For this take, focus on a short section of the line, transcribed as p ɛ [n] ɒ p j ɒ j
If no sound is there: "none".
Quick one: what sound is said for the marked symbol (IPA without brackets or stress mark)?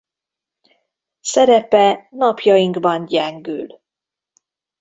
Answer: n